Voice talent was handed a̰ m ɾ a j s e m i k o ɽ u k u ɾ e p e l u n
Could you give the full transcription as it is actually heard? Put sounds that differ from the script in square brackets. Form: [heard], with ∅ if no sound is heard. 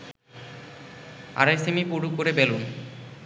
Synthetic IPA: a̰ [∅] ɾ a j s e m i [p] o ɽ u k [o] ɾ e [b] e l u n